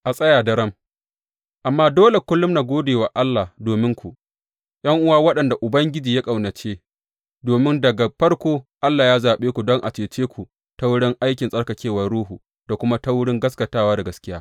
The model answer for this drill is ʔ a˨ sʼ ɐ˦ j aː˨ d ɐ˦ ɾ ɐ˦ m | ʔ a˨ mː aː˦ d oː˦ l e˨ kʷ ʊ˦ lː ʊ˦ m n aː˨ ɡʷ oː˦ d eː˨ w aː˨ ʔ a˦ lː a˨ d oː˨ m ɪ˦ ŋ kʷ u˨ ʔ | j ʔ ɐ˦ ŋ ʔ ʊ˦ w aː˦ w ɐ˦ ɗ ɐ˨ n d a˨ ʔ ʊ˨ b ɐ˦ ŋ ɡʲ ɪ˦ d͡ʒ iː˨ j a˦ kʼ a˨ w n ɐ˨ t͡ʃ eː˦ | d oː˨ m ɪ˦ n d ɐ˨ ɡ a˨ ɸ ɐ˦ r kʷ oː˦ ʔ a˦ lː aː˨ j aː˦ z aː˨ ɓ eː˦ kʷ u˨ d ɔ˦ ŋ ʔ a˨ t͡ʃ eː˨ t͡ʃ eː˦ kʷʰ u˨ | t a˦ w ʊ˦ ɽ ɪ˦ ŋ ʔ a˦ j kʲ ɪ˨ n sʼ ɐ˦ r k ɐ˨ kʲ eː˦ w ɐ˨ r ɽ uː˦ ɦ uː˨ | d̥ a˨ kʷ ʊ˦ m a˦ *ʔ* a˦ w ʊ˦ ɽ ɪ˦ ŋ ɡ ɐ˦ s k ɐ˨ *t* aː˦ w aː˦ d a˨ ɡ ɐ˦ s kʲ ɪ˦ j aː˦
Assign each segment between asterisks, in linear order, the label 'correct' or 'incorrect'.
incorrect: t, correct

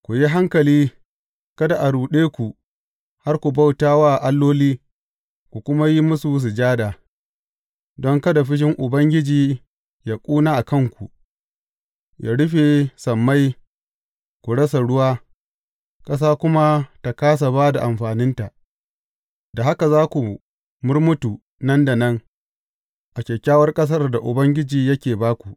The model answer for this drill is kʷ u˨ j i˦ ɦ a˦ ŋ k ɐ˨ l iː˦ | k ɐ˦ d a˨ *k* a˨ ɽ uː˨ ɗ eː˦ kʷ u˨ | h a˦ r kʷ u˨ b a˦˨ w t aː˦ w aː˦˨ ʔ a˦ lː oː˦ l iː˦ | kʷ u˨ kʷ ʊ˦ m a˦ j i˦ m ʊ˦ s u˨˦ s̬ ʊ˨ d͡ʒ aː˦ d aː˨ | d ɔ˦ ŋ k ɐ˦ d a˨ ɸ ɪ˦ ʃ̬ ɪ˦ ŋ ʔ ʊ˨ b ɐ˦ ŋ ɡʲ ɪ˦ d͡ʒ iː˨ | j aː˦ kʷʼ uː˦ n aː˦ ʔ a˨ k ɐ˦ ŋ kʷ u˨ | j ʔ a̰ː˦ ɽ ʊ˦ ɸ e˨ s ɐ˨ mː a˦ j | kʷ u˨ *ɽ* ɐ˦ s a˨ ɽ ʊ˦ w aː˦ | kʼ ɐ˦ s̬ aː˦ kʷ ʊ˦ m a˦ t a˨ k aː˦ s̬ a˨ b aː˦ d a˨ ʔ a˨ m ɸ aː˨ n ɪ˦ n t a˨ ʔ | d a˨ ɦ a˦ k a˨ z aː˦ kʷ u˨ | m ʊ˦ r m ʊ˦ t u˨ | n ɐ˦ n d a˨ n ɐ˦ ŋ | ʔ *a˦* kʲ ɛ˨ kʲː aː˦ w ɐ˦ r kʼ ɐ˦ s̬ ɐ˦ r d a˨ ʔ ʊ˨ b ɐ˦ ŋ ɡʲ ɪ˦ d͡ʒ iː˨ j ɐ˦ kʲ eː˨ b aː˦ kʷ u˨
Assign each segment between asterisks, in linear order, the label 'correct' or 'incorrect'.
incorrect: ʔ, correct, incorrect: a˨

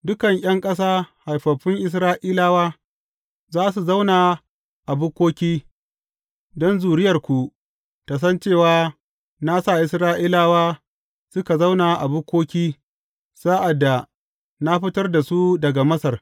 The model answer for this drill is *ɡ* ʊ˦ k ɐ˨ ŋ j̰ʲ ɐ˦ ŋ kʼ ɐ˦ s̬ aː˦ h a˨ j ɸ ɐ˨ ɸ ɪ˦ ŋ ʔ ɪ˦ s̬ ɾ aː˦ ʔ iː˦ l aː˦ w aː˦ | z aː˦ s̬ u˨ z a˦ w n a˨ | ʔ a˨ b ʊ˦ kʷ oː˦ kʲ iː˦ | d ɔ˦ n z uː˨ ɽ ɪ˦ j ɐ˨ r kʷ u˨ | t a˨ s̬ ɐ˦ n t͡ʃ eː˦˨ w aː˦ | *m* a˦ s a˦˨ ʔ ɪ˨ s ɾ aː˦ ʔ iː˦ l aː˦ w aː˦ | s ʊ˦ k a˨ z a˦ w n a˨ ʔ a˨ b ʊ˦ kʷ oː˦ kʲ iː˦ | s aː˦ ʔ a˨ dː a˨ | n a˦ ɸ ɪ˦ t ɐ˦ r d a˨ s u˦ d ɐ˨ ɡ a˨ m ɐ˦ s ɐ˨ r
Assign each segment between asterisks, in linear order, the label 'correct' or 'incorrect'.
incorrect: d, incorrect: n

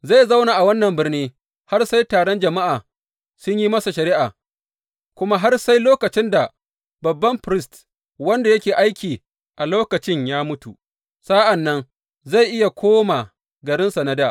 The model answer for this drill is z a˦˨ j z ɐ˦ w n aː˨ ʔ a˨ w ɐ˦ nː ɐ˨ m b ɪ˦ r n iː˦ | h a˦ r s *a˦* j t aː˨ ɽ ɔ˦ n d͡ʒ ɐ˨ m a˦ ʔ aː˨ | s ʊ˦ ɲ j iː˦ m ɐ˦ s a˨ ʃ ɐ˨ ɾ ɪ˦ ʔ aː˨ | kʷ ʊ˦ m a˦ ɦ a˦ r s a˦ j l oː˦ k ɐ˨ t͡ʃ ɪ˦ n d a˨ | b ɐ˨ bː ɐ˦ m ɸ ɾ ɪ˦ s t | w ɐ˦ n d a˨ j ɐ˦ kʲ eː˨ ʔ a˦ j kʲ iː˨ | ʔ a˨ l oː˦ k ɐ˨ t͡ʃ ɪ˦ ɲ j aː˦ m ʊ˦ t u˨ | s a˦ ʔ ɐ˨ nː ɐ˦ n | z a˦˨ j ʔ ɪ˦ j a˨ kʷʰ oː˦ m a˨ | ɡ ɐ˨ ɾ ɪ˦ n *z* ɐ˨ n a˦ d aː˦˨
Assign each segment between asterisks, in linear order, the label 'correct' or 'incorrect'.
correct, incorrect: s

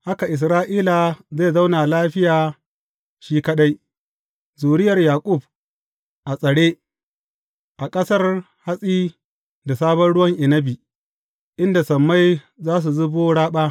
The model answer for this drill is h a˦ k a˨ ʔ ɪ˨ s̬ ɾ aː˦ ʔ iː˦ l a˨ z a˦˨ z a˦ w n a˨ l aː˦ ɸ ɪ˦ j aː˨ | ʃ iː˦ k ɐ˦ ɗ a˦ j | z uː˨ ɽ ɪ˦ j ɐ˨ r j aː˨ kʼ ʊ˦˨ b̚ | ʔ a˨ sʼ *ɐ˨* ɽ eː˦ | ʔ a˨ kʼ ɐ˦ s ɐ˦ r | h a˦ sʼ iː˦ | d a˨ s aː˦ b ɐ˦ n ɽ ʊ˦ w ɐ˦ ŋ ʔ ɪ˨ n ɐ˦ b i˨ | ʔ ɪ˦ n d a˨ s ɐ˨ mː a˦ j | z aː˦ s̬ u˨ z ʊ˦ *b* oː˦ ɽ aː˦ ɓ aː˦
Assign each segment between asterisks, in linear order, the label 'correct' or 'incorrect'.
correct, correct

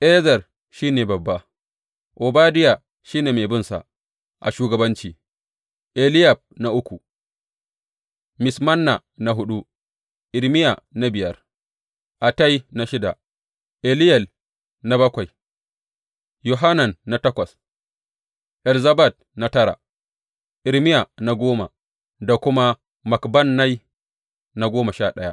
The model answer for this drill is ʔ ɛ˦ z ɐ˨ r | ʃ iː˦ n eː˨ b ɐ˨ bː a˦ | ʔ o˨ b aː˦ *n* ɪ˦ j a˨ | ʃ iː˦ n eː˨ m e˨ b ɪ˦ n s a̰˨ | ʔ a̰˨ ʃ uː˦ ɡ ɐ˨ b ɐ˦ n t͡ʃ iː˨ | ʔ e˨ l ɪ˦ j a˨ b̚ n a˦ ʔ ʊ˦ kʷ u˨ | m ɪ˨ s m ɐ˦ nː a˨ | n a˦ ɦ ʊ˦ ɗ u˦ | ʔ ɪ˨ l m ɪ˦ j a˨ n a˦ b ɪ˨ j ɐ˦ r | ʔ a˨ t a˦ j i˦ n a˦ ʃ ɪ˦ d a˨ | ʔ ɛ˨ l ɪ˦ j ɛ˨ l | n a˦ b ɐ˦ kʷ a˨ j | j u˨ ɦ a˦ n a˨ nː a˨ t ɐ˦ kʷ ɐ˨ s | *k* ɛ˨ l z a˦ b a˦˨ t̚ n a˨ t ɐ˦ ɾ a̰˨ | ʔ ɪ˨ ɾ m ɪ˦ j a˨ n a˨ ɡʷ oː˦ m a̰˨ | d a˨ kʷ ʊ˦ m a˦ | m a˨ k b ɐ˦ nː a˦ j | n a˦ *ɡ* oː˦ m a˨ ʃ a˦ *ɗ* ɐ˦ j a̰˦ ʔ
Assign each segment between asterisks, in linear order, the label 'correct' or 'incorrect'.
incorrect: d, incorrect: ʔ, correct, correct

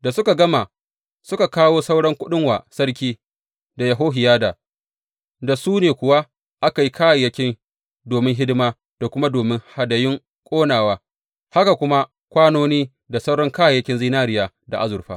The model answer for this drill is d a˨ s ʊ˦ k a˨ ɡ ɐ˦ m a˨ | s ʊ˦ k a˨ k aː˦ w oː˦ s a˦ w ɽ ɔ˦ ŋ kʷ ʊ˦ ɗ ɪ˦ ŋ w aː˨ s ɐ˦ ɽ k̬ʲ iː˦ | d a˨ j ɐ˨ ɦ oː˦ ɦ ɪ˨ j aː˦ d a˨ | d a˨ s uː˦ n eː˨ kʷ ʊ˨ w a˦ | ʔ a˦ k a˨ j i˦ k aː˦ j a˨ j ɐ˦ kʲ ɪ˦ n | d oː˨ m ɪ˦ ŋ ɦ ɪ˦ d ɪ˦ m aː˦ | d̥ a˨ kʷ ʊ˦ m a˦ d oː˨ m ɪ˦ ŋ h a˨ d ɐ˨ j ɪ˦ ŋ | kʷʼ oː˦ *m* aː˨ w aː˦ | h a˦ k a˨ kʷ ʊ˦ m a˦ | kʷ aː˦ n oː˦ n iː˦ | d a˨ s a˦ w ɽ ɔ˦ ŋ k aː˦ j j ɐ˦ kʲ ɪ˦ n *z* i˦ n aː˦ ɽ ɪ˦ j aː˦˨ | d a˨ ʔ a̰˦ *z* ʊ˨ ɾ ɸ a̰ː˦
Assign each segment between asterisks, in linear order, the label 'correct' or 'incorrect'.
incorrect: n, correct, correct

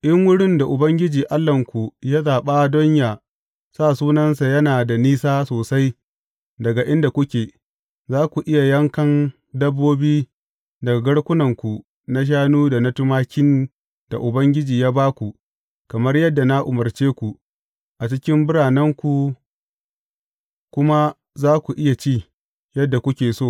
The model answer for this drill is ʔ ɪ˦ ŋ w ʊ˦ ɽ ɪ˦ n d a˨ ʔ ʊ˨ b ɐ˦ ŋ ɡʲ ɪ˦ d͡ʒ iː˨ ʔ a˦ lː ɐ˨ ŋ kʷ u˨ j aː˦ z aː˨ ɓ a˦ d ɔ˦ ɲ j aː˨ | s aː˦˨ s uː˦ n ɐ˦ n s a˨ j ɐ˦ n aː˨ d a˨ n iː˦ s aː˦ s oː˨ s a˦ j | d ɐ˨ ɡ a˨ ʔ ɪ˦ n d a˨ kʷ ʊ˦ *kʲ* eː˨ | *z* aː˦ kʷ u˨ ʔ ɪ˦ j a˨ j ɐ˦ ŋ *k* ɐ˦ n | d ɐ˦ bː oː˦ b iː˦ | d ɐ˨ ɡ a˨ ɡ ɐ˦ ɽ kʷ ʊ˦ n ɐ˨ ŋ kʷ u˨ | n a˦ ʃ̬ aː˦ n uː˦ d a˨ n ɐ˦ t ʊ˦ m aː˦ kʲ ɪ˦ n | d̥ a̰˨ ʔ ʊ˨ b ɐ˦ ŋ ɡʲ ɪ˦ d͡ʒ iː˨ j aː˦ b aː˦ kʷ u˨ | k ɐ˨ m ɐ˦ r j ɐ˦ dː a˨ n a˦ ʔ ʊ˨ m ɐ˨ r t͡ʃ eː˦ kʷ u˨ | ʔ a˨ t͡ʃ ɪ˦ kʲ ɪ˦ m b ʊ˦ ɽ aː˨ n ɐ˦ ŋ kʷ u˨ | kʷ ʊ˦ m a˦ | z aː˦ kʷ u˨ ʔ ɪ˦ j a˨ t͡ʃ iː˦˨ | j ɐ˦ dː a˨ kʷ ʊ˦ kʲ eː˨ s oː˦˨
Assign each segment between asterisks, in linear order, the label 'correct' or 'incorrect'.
correct, correct, correct

